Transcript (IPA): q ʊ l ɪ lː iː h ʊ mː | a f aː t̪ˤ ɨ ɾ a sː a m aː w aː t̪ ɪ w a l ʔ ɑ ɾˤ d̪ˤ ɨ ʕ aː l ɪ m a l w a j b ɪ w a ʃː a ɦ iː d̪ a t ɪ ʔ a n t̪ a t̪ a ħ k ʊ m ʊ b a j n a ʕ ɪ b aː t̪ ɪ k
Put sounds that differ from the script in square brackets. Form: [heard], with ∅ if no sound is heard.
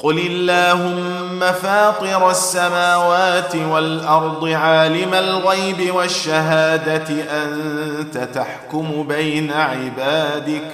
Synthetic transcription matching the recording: q ʊ l ɪ lː [aː] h ʊ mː | a f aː t̪ˤ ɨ ɾ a sː a m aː w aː t̪ ɪ w a l ʔ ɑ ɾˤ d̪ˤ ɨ ʕ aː l ɪ m a l [ɣ] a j b ɪ w a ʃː a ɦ [aː] d̪ a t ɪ ʔ a n t̪ a t̪ a ħ k ʊ m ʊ b a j n a ʕ ɪ b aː [d̪] ɪ k